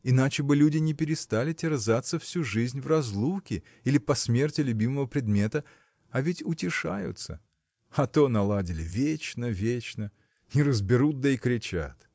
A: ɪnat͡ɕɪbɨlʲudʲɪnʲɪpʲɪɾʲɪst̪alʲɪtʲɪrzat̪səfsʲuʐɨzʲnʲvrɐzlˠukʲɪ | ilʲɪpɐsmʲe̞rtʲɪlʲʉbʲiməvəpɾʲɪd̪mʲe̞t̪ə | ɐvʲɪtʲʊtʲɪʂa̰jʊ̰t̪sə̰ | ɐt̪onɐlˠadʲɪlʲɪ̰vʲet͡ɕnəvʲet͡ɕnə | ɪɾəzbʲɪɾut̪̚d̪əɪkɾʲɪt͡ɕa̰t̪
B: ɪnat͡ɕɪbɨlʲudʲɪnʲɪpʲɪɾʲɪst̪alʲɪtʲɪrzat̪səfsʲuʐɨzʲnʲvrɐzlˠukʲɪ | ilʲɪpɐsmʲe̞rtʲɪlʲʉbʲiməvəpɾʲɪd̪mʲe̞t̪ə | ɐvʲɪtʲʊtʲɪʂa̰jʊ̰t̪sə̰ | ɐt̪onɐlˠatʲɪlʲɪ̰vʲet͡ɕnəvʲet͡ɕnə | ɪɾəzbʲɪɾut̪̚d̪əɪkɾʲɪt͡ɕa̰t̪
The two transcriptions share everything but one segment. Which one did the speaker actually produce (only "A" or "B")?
A